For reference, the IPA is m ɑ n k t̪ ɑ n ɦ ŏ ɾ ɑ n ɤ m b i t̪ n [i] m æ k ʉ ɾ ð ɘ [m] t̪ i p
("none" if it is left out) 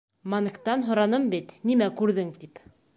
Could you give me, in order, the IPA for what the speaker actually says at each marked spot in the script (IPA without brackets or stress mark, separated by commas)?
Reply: i, ŋ